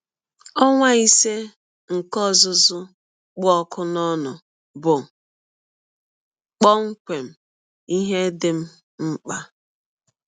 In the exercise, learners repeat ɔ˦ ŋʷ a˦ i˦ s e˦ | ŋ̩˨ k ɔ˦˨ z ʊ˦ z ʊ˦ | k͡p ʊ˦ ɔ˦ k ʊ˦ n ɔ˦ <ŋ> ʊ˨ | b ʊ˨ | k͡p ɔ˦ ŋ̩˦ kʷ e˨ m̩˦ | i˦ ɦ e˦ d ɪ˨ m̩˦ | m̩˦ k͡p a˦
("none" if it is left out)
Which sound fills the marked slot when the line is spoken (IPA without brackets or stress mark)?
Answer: n